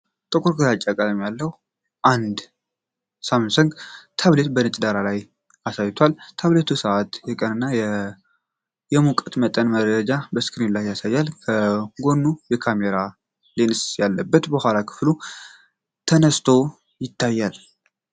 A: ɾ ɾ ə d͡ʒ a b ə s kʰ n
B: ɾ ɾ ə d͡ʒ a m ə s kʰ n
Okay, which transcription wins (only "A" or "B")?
A